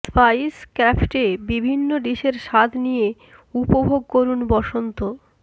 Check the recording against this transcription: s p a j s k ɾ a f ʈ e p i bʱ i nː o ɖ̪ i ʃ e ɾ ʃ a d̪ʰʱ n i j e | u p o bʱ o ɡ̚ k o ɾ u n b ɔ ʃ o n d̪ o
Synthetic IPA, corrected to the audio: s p a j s k ɾ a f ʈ e b i bʱ i nː o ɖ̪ i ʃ e ɾ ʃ a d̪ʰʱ n i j e | u p o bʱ o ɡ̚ k o ɾ u n b ɔ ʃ o n t̪ o